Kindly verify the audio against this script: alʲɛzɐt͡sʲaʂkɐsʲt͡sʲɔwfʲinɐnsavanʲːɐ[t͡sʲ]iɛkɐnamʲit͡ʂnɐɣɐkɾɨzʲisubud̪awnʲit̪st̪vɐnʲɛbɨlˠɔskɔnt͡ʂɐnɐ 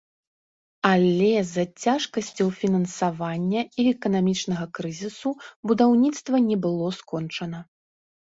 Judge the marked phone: incorrect: none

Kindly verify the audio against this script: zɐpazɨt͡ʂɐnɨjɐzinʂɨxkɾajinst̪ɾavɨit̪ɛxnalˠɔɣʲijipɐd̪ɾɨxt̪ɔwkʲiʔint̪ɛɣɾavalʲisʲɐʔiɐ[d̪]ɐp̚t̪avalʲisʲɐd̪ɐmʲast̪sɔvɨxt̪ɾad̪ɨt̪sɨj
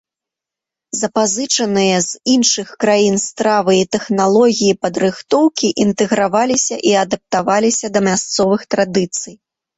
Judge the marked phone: correct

